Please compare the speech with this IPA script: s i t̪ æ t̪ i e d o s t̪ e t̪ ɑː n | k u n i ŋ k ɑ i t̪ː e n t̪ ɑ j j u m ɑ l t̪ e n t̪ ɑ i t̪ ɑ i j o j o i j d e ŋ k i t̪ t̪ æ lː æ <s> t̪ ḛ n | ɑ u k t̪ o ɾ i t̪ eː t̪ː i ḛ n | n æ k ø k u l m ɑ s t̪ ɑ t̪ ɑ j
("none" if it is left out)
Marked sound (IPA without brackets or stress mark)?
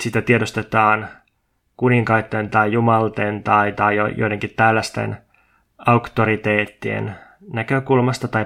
s